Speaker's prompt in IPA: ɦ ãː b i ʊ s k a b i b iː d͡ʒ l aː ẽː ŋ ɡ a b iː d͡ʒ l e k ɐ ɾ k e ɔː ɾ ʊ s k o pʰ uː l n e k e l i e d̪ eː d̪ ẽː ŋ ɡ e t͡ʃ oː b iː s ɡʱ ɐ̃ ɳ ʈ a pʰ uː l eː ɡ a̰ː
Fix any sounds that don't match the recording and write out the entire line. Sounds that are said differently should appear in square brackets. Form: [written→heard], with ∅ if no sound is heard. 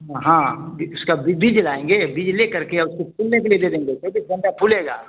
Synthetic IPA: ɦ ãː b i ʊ s k a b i b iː d͡ʒ l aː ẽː ŋ ɡ [a→e] b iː d͡ʒ l e k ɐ ɾ k e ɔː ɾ ʊ s k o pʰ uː l n e k e l i e d̪ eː d̪ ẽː ŋ ɡ e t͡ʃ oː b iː s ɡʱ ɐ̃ ɳ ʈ a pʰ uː l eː ɡ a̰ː